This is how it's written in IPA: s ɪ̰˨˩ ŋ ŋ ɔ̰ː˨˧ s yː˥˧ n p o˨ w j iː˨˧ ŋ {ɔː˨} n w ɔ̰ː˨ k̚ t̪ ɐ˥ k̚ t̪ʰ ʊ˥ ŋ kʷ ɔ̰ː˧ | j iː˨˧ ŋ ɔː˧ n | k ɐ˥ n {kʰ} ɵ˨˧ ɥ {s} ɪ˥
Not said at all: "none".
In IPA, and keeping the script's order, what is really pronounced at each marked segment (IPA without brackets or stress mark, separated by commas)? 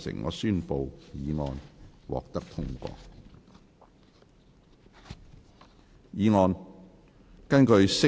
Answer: ɔː˨, k, s